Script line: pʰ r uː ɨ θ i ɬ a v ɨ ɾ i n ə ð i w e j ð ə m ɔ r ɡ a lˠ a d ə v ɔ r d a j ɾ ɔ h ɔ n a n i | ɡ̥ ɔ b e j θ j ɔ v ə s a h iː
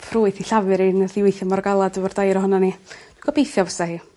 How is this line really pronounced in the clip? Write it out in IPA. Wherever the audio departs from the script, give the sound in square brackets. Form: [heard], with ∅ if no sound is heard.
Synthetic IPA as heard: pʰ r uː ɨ θ i ɬ a v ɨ ɾ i n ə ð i w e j [θ] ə m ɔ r ɡ a lˠ a d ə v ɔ r d a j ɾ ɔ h ɔ n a n i | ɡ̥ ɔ b e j θ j ɔ v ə s a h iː